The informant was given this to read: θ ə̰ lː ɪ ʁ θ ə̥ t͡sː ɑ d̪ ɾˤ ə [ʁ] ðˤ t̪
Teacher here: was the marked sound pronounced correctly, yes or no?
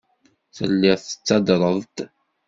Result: no